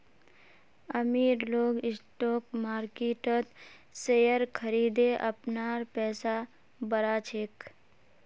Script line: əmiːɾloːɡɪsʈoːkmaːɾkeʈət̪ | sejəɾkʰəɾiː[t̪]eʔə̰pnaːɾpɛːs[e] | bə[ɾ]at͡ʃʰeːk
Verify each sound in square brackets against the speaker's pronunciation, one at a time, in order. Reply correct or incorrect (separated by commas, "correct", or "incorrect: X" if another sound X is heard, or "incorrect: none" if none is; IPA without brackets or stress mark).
incorrect: d̪, incorrect: a, correct